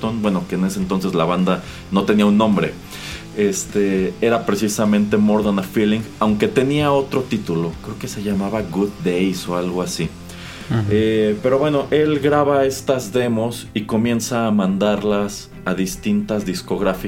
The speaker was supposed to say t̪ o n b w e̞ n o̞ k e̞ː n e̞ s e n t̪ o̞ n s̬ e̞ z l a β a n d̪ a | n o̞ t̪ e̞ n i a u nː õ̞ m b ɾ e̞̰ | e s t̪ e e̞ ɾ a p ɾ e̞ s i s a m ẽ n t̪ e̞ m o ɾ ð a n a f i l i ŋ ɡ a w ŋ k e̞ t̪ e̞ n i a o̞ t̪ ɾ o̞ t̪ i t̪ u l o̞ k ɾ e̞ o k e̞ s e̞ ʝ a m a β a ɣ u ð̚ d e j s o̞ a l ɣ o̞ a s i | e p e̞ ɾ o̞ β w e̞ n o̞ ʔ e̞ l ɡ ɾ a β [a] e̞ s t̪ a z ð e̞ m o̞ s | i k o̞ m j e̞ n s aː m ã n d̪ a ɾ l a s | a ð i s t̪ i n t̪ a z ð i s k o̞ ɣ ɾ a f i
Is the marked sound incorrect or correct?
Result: correct